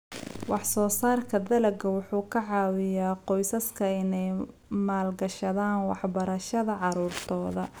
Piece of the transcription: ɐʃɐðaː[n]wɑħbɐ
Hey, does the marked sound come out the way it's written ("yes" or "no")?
yes